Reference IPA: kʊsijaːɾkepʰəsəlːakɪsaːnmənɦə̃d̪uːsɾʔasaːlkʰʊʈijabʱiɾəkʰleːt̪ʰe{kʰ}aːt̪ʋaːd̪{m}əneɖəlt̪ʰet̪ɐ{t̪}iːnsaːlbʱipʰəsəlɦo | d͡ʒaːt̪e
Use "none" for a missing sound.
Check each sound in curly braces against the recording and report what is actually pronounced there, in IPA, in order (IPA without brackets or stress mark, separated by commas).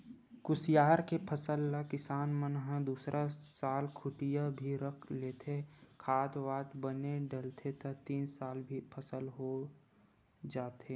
kʰ, b, t̪